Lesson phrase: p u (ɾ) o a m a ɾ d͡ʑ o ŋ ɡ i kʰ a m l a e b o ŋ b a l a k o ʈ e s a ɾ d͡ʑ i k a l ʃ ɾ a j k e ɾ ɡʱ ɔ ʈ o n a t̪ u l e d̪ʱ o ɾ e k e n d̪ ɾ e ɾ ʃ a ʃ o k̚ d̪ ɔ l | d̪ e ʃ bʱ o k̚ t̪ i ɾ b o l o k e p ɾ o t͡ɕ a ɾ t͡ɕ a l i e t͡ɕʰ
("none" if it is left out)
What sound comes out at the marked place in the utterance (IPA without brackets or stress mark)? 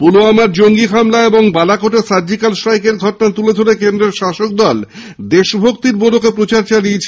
l